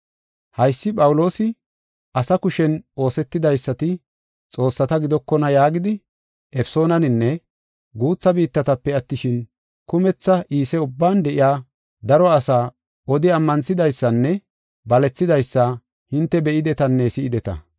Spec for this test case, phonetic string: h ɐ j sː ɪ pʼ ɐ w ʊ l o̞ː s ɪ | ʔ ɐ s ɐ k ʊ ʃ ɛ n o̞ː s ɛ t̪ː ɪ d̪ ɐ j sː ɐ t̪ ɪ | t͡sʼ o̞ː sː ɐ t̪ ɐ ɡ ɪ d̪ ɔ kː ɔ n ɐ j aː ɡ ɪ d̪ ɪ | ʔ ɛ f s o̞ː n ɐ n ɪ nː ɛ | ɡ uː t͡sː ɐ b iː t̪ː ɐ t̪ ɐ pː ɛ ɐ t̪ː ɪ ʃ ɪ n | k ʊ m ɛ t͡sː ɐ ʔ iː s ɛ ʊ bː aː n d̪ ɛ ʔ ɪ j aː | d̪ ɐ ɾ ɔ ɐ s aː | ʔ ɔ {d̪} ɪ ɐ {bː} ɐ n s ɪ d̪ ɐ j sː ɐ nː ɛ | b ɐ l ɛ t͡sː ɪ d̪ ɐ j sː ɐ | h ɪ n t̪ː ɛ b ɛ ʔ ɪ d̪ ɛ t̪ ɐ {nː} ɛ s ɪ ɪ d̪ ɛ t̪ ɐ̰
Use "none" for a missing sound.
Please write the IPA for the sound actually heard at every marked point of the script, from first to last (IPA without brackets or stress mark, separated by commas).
d̪, mː, nː